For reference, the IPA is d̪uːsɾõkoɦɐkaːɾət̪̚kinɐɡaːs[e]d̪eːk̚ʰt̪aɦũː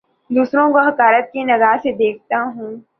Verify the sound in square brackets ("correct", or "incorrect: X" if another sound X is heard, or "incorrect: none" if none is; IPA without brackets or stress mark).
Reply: correct